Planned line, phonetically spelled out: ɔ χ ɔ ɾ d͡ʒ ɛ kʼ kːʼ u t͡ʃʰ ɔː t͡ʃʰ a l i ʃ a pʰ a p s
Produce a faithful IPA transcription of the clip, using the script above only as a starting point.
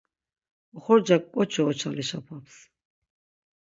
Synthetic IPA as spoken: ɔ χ ɔ ɾ d͡ʒ a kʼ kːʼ ɔ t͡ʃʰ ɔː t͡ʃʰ a l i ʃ a pʰ a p s